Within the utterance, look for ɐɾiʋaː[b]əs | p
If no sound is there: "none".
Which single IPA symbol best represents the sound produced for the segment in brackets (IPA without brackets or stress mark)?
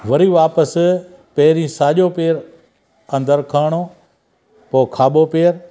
p